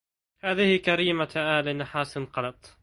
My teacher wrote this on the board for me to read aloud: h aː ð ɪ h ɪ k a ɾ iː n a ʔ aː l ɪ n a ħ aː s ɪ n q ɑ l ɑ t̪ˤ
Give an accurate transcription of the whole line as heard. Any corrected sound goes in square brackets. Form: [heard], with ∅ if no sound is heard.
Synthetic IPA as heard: h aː ð ɪ h ɪ k a ɾ iː [m] a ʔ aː l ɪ n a ħ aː s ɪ n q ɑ l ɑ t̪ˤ